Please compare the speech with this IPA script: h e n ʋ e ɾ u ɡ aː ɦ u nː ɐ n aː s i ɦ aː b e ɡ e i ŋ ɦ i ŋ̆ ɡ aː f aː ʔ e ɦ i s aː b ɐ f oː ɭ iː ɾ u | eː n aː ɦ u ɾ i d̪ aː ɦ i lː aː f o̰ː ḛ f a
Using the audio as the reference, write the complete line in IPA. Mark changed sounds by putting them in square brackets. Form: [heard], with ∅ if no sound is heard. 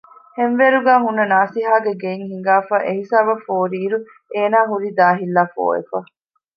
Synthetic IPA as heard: h e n ʋ e ɾ u ɡ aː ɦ u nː ɐ n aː s i ɦ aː [ɡ] e ɡ e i ŋ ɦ i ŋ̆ ɡ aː f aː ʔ e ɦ i s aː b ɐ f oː [ɾ] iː ɾ u | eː n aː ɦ u ɾ i d̪ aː ɦ i lː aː f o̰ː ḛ f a